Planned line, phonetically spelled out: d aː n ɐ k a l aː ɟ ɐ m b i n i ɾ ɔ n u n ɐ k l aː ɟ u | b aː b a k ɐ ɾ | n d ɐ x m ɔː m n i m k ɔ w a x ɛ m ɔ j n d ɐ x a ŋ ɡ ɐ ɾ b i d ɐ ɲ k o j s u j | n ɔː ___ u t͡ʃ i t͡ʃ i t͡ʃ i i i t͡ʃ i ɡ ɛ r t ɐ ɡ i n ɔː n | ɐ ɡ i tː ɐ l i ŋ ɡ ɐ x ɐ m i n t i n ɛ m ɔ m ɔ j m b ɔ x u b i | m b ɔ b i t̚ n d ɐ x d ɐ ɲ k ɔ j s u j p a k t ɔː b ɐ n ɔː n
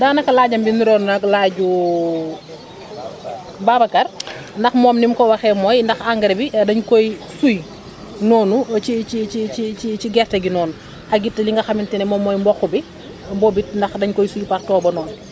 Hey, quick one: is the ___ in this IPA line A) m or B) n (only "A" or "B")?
B